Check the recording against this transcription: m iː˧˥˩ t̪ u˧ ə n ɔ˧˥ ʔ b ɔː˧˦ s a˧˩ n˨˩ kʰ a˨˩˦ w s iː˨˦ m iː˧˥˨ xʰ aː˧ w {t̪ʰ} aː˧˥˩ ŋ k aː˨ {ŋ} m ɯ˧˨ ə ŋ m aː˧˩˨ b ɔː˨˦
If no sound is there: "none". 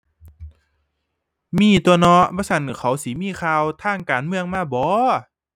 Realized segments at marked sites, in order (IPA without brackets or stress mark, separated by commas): t̪ʰ, n